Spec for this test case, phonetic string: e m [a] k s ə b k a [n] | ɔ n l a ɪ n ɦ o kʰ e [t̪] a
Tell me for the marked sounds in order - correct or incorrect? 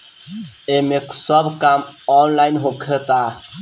incorrect, incorrect, correct

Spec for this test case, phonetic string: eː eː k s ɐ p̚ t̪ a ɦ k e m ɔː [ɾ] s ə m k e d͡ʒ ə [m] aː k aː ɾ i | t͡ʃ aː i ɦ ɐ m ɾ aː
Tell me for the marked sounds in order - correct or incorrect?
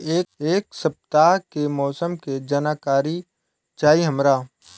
incorrect, incorrect

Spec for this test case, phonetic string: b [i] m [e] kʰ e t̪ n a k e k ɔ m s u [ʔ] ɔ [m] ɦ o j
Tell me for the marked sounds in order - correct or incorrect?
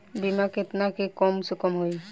correct, incorrect, incorrect, correct

